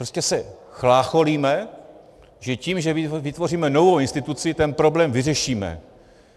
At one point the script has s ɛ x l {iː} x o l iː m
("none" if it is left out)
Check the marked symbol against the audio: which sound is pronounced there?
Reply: aː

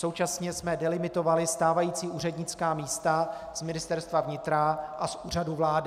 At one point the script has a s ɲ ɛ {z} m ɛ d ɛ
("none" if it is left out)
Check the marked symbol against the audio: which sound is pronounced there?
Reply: s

